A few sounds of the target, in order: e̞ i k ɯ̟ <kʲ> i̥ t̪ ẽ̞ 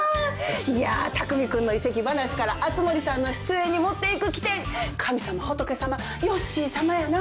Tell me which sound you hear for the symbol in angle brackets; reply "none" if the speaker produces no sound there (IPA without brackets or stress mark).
kʲ